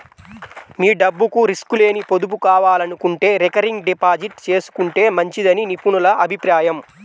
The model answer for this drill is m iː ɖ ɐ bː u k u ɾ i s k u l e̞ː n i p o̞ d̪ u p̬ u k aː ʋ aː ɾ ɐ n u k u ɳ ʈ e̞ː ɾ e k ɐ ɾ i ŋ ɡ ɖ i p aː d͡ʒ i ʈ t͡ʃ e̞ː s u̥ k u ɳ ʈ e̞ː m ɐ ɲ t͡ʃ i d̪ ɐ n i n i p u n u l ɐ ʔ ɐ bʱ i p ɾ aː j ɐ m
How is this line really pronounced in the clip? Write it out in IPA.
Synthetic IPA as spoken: m iː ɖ ɐ bː u k u ɾ i s k u l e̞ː n i p o̞ d̪ u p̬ u k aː ʋ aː l ɐ n u k u ɳ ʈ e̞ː ɾ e k ɐ ɾ i ŋ ɡ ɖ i p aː d͡ʒ i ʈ t͡ʃ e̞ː s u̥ k u ɳ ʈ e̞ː m ɐ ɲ t͡ʃ i d̪ ɐ n i n i p u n u l ɐ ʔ ɐ bʱ i p ɾ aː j ɐ m